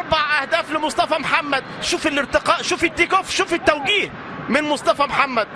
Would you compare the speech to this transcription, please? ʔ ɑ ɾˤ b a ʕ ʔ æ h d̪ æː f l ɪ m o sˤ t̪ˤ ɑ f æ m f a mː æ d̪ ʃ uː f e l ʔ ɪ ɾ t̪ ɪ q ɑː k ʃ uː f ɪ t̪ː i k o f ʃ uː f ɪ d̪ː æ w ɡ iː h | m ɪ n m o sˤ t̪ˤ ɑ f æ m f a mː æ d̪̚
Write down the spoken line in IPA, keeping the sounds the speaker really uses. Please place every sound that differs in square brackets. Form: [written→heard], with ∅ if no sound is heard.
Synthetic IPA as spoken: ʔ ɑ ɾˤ b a ʕ ʔ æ h d̪ æː f l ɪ m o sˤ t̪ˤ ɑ f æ m [f→ħ] a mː æ d̪ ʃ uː f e l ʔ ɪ ɾ t̪ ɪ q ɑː [k→ʔ] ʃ uː f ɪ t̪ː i k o f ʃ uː f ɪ [d̪ː→t̪ː] æ w ɡ iː h | m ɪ n m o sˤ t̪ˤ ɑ f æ m [f→ħ] a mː æ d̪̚